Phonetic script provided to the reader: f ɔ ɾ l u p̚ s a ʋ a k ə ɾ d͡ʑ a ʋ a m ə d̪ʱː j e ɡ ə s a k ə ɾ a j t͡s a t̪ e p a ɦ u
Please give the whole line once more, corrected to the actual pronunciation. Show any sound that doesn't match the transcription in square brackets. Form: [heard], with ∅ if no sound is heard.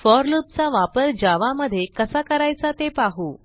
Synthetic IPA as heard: f ɔ ɾ l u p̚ [t͡s] a ʋ a [p] ə ɾ d͡ʑ a ʋ a m ə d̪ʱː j e [k] ə s a k ə ɾ a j t͡s a t̪ e p a ɦ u